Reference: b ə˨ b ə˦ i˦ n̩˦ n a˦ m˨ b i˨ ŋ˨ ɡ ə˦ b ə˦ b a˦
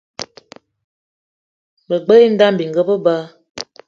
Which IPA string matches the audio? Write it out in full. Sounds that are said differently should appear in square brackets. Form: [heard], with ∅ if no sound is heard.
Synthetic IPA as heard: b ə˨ [ɡ͡b] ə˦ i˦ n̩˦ [d] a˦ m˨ b i˨ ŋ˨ ɡ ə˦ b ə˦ b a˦